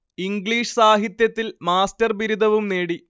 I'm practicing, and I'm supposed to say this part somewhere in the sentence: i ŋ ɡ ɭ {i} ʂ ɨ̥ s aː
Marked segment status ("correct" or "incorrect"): incorrect